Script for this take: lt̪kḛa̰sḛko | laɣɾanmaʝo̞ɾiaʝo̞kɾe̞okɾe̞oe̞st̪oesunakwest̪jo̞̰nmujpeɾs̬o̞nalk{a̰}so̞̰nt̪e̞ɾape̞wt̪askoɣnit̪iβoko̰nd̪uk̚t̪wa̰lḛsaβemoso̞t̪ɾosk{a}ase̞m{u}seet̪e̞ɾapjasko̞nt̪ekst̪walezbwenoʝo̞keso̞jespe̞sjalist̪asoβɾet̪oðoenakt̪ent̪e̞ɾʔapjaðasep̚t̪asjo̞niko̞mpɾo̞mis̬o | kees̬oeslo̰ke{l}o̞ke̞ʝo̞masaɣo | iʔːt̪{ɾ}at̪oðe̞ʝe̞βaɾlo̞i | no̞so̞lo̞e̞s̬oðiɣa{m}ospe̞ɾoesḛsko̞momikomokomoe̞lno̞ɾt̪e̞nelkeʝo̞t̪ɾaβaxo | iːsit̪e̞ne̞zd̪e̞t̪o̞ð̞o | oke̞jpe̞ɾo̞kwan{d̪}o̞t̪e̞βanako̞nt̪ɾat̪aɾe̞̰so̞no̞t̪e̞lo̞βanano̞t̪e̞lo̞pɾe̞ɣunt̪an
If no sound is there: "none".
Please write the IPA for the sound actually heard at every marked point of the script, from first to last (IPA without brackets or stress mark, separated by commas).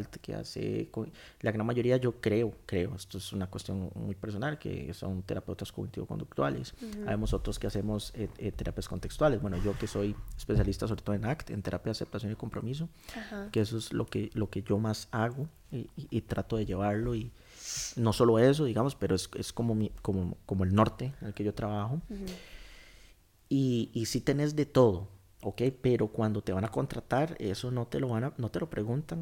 ḛ, e, o, l, ɾ, m, d̪